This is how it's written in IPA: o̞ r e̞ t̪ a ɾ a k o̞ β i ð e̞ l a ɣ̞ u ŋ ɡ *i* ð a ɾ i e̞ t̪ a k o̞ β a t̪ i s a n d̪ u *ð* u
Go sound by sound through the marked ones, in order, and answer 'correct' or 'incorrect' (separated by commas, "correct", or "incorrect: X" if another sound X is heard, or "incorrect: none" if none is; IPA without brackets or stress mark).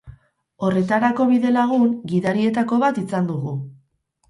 correct, incorrect: ɣ